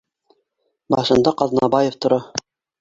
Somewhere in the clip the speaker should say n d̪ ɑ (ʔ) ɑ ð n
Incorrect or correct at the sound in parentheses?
incorrect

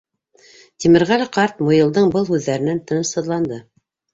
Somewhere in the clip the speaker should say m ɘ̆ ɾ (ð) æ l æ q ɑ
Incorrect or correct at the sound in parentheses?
incorrect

